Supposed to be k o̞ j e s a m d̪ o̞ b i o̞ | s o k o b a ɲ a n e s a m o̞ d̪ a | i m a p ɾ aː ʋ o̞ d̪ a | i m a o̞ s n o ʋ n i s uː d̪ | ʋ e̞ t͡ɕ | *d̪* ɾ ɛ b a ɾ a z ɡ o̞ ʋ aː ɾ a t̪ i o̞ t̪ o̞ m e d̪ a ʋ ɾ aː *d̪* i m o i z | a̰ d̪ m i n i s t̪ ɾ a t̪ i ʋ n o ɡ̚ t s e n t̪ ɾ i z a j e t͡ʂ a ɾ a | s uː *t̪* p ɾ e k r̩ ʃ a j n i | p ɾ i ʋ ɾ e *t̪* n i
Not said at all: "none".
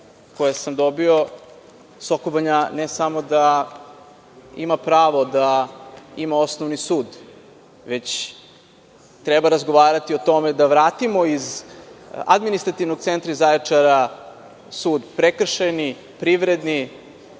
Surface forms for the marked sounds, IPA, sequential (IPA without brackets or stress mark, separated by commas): t̪, t̪, d̪, d̪